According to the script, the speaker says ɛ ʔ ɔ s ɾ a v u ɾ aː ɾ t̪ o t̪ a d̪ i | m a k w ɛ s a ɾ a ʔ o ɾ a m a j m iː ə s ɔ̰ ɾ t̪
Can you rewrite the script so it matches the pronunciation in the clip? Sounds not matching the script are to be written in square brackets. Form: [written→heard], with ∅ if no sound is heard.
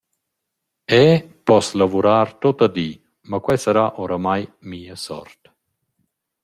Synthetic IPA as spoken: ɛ [ʔ→p] ɔ s [ɾ→l] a v u ɾ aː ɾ t̪ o t̪ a d̪ i | m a k w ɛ s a ɾ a ʔ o ɾ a m a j m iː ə s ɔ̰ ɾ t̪